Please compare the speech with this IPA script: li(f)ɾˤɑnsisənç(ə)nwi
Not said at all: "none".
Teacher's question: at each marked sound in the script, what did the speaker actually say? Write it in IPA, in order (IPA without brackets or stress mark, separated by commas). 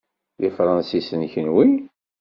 f, ə